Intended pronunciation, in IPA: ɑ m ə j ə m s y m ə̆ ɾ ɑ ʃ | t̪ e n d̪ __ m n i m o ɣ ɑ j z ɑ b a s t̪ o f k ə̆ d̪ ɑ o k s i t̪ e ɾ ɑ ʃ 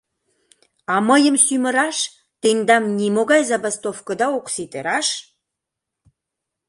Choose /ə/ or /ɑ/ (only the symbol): ɑ